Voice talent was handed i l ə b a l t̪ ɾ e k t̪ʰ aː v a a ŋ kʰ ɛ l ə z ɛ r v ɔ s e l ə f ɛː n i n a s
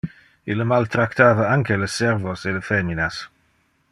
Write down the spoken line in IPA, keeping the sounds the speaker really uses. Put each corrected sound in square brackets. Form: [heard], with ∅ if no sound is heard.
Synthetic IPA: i l ə [m] a l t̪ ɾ [a] k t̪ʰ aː v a a ŋ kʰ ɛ l ə [s] ɛ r v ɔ s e l ə f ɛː [m] i n a s